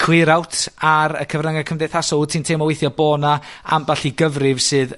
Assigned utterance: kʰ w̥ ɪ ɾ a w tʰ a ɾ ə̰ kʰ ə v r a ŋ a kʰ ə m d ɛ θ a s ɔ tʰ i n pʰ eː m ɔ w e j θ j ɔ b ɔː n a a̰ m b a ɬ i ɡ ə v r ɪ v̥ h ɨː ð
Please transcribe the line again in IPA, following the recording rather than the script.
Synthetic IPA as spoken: kʰ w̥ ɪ ɾ a w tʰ a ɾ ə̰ kʰ ə v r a ŋ a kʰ ə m d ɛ θ a s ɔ tʰ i n tʰ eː m ɔ w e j θ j ɔ b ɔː n a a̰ m b a ɬ i ɡ ə v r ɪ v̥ s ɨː ð